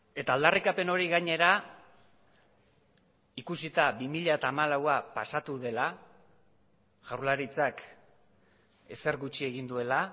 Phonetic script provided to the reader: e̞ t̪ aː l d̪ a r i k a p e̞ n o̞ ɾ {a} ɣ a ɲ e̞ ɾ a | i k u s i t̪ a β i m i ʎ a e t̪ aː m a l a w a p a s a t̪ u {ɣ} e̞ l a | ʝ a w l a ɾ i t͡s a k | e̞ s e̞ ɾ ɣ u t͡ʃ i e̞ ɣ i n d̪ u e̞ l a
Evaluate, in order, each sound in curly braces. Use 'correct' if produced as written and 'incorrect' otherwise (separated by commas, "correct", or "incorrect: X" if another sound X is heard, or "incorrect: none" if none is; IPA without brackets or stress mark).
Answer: incorrect: i, incorrect: ð